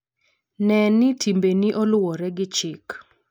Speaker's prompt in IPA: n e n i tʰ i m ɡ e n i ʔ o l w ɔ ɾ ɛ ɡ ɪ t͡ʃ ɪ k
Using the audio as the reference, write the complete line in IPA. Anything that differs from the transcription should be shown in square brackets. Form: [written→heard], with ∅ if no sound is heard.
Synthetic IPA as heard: n [e→ɛ] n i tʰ i m [ɡ→b] e n i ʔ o l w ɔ ɾ ɛ ɡ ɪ t͡ʃ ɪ k